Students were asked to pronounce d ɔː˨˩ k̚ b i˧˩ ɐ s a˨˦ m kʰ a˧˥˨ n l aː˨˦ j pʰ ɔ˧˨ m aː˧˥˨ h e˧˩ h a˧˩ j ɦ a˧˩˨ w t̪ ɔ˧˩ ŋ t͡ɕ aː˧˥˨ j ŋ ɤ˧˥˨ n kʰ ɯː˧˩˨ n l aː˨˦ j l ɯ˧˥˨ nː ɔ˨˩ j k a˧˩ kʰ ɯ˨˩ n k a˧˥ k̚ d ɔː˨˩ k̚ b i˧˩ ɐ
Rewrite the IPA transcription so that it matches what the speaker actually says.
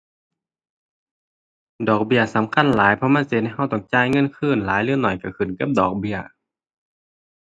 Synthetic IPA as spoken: d ɔː˨˩ k̚ b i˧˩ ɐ s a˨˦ m kʰ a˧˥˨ n l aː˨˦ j pʰ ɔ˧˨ m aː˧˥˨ s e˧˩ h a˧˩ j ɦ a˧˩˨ w t̪ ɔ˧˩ ŋ t͡ɕ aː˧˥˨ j ŋ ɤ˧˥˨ n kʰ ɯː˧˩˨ n l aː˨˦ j l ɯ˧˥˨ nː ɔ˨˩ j k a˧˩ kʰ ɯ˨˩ n k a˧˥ p̚ d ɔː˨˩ k̚ b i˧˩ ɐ

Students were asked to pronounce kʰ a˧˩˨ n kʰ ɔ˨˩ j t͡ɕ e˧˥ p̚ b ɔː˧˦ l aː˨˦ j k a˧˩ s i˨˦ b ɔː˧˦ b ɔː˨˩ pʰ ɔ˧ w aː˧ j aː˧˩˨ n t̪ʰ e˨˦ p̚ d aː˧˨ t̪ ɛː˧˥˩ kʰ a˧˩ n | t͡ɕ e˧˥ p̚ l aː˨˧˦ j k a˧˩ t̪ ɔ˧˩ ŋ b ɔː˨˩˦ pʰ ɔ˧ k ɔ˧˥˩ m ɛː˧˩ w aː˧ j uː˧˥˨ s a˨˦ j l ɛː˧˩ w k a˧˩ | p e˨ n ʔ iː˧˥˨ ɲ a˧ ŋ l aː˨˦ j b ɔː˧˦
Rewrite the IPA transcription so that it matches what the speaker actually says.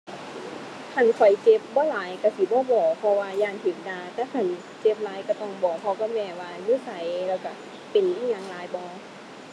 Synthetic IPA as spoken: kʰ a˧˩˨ n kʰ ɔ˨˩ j t͡ɕ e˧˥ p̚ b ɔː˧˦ l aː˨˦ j k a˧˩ s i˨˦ b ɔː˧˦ b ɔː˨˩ pʰ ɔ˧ w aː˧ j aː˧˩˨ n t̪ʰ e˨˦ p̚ d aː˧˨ t̪ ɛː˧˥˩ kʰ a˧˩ n | t͡ɕ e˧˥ p̚ l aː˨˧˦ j k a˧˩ t̪ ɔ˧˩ ŋ b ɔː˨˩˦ pʰ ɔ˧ k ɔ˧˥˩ m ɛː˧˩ w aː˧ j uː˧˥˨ s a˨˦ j l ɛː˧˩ w k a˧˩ | p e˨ n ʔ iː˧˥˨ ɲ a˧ ŋ l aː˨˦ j b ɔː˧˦

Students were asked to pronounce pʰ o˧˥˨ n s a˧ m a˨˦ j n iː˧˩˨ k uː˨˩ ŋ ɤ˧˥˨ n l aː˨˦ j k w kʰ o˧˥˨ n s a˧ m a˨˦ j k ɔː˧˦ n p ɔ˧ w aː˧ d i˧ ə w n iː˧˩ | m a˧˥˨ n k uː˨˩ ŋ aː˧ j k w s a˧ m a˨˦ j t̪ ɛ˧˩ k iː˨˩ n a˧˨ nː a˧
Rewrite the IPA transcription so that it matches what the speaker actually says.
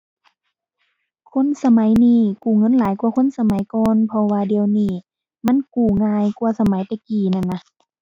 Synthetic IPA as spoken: kʰ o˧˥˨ n s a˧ m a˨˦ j n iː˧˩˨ k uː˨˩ ŋ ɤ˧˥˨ n l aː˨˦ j k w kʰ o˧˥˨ n s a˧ m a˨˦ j k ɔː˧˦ n pʰ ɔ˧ w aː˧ d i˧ ə w n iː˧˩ | m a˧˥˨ n k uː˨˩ ŋ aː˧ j k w s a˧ m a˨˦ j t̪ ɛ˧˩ k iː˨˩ n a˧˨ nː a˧

